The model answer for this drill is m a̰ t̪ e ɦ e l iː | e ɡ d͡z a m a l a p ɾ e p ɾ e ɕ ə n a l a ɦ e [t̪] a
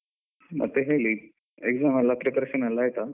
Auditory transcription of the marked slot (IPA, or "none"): t̪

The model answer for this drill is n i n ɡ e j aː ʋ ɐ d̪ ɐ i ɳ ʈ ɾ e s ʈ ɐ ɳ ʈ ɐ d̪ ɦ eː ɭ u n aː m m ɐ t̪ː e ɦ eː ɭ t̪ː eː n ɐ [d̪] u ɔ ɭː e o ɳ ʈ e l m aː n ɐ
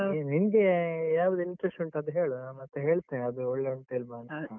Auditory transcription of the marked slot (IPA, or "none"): d̪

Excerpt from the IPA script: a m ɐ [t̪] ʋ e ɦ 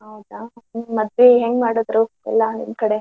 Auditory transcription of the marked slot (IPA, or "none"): d̪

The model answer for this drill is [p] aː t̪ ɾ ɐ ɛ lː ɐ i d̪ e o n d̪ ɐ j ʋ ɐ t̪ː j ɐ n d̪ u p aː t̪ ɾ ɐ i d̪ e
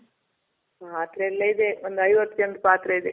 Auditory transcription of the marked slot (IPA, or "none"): p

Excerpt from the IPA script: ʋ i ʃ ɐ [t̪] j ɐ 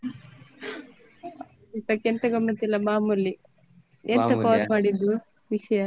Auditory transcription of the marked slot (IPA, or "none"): none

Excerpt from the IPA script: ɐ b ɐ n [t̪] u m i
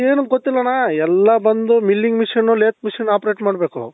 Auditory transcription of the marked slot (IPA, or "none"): d̪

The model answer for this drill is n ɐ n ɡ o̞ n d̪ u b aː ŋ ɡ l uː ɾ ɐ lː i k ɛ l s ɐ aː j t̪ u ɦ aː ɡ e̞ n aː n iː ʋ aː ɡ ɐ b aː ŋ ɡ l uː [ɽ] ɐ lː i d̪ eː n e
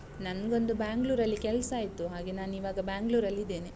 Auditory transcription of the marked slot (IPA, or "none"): ɾ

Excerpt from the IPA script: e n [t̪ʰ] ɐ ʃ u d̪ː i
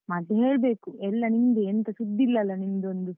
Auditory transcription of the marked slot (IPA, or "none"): t̪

